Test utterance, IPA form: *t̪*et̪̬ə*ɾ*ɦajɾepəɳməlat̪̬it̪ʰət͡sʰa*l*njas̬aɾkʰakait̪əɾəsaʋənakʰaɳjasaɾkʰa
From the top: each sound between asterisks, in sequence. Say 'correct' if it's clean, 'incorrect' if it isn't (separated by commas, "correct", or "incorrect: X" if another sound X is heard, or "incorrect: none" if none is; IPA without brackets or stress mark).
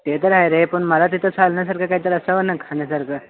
correct, correct, correct